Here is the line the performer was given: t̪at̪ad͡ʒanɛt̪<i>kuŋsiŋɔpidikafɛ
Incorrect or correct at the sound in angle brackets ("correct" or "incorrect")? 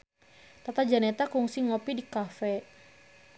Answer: incorrect